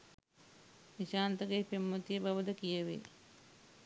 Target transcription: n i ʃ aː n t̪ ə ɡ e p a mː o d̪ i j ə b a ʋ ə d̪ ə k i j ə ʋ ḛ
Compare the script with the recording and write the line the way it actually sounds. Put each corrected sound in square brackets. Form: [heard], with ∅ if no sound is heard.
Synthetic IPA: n i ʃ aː n t̪ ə ɡ e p [e] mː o [t̪] i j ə b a ʋ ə d̪ ə k i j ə ʋ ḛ